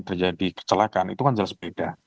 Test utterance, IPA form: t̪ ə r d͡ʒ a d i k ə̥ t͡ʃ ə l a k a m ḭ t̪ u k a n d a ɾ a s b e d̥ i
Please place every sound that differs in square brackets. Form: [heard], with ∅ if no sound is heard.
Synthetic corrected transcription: t̪ ə r d͡ʒ a d i k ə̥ t͡ʃ ə l a k a [n] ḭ t̪ u k a n [d͡ʒ] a [l] a s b e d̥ [a]